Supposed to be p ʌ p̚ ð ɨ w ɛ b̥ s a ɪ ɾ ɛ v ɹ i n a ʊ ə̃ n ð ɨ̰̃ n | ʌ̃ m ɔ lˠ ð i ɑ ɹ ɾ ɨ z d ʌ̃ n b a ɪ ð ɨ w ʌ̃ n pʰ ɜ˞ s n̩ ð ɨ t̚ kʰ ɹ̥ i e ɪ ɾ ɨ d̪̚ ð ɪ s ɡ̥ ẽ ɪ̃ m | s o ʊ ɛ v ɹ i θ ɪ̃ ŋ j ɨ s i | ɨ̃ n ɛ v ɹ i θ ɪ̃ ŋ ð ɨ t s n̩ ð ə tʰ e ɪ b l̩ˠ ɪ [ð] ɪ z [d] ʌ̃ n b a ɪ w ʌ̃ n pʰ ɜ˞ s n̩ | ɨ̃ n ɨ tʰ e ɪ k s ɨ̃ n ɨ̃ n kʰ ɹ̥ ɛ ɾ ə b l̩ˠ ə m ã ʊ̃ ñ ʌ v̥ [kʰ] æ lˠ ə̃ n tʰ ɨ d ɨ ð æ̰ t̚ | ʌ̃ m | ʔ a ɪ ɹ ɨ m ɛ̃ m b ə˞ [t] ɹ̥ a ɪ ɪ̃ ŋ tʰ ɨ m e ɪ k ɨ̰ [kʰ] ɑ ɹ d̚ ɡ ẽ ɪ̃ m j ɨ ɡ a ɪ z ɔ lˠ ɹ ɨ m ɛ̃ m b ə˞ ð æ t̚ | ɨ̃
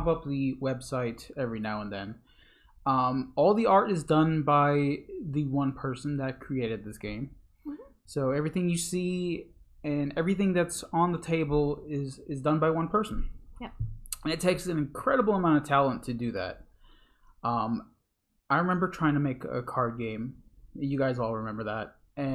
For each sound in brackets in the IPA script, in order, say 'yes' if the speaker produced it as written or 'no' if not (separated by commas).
no, yes, no, no, yes